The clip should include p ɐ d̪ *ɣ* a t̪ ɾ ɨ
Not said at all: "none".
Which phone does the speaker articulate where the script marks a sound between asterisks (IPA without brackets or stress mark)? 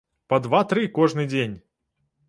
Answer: v